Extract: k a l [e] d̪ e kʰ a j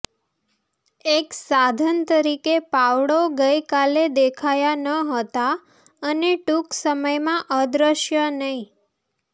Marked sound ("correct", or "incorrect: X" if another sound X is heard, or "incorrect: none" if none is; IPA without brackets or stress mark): correct